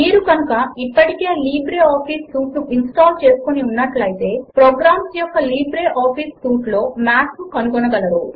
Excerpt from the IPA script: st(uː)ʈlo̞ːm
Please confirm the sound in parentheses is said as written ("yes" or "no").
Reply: yes